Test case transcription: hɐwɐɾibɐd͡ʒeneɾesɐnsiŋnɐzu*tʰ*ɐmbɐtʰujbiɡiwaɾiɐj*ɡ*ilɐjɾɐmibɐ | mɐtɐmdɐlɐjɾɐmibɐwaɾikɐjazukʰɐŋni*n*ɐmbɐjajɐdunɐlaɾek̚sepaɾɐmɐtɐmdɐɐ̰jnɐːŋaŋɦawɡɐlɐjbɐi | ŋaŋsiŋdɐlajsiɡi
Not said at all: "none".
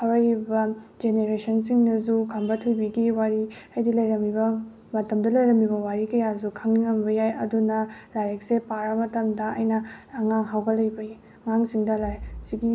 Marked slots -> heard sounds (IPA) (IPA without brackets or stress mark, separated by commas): kʰ, d, ŋ